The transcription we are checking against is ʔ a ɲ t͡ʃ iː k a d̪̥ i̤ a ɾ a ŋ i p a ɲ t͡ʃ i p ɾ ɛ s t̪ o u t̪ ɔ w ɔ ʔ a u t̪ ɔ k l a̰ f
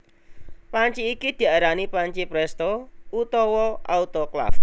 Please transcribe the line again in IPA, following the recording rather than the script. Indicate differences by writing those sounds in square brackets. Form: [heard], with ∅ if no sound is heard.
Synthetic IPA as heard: [p] a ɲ t͡ʃ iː k [i] d̪̥ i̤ a ɾ a [n] i p a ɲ t͡ʃ i p ɾ ɛ s t̪ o u t̪ ɔ w ɔ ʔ a u t̪ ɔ k l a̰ f